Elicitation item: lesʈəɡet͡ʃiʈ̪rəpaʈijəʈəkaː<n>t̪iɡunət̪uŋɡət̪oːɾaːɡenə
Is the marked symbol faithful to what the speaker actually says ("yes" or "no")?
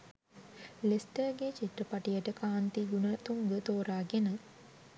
yes